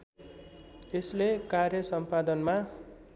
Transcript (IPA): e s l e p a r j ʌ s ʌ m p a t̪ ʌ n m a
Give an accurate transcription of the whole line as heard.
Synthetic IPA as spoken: e s l e k a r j ʌ s ʌ m p a d̪ ʌ n m a